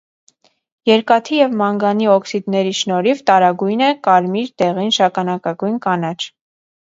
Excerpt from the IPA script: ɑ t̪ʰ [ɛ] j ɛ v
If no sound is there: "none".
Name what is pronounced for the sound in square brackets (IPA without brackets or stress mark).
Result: i